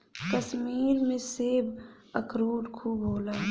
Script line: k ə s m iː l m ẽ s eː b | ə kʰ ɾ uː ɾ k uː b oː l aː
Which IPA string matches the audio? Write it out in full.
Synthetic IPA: k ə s m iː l m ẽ s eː b | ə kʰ ɾ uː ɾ kʰ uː b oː l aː